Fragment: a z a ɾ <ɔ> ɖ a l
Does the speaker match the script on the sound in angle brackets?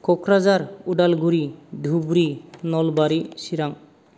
no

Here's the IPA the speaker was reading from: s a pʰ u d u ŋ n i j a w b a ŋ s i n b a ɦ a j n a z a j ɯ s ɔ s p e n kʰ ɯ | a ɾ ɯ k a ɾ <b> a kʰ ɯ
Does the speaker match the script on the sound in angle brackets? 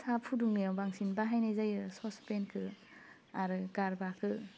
yes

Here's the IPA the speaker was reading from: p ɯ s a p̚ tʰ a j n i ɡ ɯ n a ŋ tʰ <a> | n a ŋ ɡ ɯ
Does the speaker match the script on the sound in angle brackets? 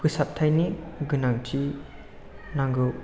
no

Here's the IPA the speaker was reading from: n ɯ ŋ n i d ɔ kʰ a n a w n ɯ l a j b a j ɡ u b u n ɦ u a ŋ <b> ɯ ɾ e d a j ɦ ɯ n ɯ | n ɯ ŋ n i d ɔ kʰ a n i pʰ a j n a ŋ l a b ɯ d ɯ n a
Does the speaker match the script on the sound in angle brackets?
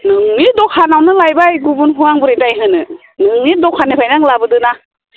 yes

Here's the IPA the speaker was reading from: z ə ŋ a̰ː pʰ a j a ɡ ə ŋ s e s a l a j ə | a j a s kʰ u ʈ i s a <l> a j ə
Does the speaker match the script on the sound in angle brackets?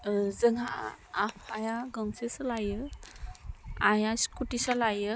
yes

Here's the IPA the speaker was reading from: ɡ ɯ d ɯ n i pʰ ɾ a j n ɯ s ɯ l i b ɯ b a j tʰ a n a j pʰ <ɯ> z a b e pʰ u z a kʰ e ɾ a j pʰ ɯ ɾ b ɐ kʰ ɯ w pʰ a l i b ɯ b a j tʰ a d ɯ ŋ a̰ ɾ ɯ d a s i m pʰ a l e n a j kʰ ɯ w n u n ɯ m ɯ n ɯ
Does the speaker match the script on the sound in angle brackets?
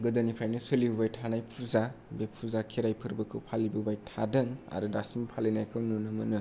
no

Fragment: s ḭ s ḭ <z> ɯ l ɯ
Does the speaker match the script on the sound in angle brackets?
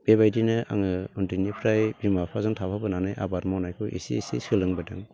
no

